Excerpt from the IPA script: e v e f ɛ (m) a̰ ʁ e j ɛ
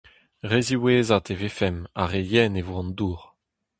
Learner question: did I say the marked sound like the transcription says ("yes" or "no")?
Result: yes